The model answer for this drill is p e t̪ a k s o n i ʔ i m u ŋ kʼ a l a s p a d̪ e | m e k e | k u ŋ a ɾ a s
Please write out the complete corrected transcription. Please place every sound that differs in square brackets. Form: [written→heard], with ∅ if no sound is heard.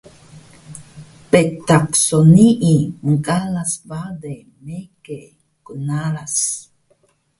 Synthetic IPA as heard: p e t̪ a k s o n i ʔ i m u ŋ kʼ a l a s [p→b] a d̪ e | m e k e | k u [ŋ→n] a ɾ a s